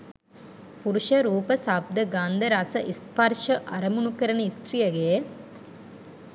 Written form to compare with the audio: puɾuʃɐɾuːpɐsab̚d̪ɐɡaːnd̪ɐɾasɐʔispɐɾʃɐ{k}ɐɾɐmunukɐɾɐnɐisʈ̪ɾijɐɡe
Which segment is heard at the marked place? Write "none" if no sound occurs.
ʔ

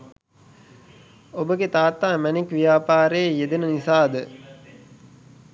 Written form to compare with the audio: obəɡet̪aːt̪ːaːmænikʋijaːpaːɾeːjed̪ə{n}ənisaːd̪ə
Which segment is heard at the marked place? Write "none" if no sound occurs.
n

